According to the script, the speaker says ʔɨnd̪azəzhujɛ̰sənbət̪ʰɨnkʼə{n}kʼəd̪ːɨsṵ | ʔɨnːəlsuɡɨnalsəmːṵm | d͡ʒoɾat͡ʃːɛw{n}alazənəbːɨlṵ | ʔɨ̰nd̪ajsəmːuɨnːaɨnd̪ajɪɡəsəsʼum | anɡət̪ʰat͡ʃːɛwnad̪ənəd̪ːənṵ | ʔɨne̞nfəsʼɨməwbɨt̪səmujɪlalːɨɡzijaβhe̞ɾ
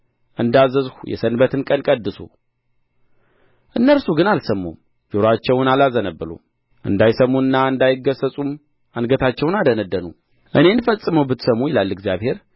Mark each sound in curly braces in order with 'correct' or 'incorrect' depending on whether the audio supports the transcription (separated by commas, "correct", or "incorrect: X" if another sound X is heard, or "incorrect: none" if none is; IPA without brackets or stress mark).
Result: correct, correct